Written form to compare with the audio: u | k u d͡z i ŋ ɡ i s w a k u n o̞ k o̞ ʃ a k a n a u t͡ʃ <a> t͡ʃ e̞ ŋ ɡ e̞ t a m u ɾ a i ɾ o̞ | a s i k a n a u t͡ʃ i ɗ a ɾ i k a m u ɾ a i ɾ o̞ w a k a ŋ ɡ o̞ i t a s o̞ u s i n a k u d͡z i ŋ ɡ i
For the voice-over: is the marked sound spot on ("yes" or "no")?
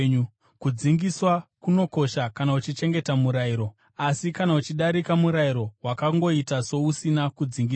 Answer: no